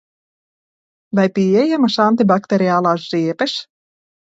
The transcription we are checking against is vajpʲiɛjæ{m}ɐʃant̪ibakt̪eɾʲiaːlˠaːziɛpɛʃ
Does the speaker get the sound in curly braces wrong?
no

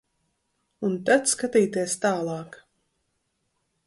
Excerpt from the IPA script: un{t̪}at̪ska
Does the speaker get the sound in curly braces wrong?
no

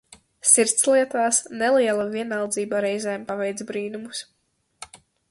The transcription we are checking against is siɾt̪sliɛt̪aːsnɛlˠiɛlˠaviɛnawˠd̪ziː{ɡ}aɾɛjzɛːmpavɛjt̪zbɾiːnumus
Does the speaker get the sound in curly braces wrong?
yes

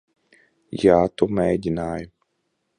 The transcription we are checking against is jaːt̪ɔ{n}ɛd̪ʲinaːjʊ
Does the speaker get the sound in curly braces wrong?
yes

